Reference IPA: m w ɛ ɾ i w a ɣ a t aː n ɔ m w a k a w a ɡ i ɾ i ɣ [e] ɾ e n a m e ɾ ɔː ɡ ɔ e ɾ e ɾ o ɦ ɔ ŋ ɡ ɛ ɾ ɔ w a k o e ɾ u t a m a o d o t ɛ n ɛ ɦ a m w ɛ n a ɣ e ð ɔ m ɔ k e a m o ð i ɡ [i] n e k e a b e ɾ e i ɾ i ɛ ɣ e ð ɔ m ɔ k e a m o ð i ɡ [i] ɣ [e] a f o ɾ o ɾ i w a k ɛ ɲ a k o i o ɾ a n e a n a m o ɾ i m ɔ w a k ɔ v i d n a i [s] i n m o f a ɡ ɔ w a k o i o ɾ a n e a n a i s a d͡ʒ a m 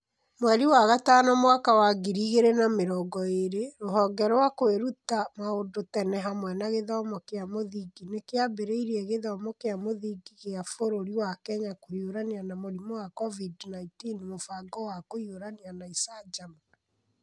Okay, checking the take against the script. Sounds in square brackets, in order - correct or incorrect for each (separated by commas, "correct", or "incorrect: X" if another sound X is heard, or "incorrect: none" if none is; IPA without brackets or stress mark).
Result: correct, correct, correct, correct, incorrect: t